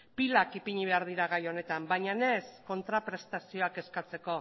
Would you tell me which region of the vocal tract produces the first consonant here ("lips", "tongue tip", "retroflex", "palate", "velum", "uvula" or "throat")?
lips